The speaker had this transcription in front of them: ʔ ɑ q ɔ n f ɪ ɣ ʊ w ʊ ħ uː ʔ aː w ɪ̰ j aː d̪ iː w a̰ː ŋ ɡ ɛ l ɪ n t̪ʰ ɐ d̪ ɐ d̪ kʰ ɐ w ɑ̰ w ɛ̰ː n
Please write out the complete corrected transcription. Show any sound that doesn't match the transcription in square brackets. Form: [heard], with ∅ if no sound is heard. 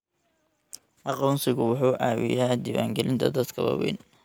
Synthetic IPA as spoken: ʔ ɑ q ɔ n [s] ɪ ɣ ʊ w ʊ ħ uː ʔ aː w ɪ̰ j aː d̪ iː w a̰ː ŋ ɡ ɛ l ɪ n t̪ʰ ɐ d̪ ɐ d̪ kʰ ɐ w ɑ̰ w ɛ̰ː n